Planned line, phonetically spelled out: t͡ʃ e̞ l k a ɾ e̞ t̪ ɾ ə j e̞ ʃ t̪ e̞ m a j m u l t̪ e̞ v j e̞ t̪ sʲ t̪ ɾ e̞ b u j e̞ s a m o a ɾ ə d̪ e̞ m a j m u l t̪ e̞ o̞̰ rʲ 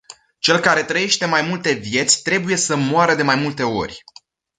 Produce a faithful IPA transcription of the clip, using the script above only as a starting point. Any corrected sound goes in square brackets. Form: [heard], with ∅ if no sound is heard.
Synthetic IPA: t͡ʃ e̞ l k a ɾ e̞ t̪ ɾ ə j e̞ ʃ t̪ e̞ m a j m u l t̪ e̞ v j e̞ t̪ sʲ t̪ ɾ e̞ b u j e̞ s [ə] m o a ɾ ə d̪ e̞ m a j m u l t̪ e̞ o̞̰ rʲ